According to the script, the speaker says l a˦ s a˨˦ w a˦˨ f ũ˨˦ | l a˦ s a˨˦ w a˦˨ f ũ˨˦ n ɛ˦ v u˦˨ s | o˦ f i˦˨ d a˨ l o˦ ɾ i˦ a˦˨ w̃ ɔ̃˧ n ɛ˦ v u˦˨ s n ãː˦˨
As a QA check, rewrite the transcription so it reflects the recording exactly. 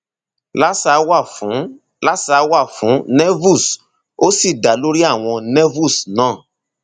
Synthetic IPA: l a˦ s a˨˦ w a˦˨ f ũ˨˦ | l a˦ s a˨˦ w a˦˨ f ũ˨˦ n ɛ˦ v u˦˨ s | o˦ s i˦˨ d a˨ l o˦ ɾ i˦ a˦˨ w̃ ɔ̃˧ n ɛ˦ v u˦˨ s n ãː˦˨

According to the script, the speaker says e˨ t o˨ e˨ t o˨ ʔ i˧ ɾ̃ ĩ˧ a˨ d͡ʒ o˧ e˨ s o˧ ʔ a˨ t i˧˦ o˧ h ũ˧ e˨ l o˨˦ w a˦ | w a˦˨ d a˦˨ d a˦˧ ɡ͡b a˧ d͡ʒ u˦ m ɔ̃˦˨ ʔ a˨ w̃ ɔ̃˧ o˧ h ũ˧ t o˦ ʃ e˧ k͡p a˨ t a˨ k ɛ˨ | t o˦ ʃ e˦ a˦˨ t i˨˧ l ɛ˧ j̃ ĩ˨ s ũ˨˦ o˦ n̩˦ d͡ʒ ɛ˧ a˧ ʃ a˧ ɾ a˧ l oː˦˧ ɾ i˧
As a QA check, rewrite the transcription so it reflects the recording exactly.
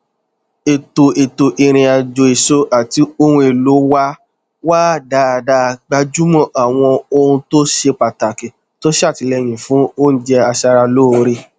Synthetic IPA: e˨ t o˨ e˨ t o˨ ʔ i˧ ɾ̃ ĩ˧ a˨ d͡ʒ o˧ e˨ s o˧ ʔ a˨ t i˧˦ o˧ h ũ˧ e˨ l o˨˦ w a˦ | w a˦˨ d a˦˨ d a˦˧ ɡ͡b a˧ d͡ʒ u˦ m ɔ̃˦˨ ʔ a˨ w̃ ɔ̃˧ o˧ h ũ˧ t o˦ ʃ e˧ k͡p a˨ t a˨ k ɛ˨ | t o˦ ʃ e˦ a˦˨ t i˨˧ l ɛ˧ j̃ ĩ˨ f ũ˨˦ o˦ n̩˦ d͡ʒ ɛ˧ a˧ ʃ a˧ ɾ a˧ l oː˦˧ ɾ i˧

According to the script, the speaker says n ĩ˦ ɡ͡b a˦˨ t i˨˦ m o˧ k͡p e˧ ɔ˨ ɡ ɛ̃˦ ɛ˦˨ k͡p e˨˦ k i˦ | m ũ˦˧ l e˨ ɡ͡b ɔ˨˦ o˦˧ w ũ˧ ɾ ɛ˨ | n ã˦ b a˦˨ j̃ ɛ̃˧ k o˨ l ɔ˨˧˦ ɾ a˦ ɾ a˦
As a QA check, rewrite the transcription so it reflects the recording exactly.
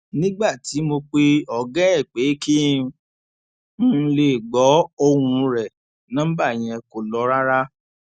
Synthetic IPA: n ĩ˦ ɡ͡b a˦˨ t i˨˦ m o˧ k͡p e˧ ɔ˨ ɡ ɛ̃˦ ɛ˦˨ k͡p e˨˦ k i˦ | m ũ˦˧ l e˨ ɡ͡b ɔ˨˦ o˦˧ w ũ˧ ɾ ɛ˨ | n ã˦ b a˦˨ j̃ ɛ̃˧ k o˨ l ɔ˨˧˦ ɾ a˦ ɾ a˦

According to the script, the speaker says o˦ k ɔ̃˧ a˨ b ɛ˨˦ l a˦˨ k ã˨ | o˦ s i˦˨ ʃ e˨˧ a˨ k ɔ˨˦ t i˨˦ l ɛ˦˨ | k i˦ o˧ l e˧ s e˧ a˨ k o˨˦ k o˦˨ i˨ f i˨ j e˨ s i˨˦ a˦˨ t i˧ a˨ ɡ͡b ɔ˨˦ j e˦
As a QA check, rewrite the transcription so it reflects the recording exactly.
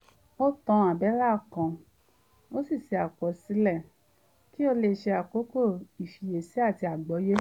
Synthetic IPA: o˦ t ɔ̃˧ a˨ b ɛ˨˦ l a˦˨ k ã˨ | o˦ s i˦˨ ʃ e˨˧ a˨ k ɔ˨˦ s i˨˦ l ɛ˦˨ | k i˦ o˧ l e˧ ʃ e˧ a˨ k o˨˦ k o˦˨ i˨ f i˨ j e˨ s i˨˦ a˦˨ t i˧ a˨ ɡ͡b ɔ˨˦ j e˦

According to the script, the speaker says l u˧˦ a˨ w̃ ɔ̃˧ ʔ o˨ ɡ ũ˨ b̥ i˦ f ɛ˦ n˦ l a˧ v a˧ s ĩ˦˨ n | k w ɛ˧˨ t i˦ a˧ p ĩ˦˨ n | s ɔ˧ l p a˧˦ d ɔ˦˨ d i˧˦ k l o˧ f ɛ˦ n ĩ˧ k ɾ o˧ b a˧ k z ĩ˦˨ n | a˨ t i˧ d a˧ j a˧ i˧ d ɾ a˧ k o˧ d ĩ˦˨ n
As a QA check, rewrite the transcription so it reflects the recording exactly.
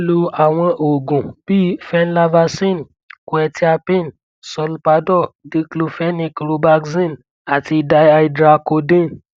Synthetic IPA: l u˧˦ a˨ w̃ ɔ̃˧ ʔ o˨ ɡ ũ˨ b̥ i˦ f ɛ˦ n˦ l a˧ v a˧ s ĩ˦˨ n | k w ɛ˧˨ t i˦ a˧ p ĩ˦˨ n | s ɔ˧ l p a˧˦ d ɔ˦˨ d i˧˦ k l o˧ f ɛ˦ n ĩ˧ k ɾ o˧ b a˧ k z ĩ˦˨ n | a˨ t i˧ d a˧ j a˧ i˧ d ɾ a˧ k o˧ d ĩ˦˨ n

